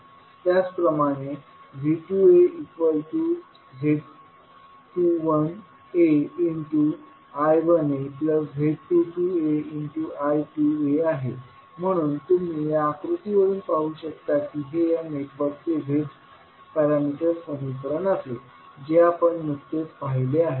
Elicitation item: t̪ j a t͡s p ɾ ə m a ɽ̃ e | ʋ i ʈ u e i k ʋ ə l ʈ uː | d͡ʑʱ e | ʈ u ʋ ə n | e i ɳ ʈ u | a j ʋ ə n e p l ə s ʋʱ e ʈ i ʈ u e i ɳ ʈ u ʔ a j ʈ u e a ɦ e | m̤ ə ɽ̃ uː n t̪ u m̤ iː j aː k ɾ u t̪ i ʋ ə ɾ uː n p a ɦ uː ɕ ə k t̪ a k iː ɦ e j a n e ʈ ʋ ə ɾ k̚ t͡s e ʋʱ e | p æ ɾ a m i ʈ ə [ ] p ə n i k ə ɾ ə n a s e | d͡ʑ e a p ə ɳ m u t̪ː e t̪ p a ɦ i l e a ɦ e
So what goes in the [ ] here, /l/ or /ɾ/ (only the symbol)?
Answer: ɾ